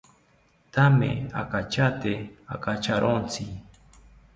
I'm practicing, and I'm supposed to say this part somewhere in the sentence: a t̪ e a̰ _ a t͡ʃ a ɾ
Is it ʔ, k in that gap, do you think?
k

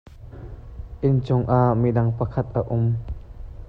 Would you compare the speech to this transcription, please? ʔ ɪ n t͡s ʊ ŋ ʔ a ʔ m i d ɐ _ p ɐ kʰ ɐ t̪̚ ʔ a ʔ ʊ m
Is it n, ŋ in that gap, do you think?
ŋ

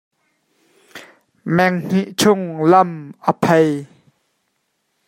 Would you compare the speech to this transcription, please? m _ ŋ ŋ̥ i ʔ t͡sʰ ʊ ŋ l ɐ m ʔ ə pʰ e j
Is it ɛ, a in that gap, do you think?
ɛ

